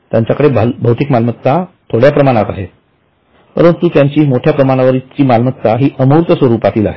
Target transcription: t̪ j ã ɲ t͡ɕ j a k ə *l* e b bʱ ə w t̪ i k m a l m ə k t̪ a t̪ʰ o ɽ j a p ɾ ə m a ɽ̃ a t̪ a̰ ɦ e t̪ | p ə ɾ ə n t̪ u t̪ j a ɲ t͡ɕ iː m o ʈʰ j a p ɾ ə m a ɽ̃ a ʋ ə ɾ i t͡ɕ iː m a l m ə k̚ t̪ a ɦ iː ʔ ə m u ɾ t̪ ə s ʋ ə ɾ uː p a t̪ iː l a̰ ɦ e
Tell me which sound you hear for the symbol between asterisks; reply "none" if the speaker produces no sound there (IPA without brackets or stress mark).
ɽ